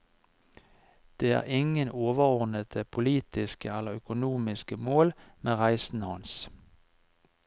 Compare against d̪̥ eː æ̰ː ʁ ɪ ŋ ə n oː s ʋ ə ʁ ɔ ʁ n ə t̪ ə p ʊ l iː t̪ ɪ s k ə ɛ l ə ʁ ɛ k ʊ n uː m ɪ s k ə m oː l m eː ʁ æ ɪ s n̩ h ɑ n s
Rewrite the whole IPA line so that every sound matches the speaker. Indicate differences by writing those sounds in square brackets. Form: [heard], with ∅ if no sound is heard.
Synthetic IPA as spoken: d̪̥ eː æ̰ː ʁ ɪ ŋ ə n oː [∅] ʋ ə ʁ ɔ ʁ n ə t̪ ə [pʰ] ʊ l iː t̪ ɪ s k ə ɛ l ə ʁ [œ] k ʊ n uː m ɪ s k ə m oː l m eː ʁ æ ɪ s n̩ h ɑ n s